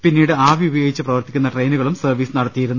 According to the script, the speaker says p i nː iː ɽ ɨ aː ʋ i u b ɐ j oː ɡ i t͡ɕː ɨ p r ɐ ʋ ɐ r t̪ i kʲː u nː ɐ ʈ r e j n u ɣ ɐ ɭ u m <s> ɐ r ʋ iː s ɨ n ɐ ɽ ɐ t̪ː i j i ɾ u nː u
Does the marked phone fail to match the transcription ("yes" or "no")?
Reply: no